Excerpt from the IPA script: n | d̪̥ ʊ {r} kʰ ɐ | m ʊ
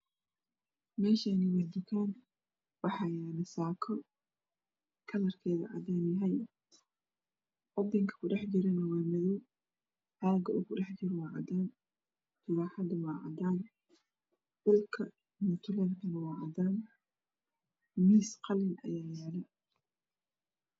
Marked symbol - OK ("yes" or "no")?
no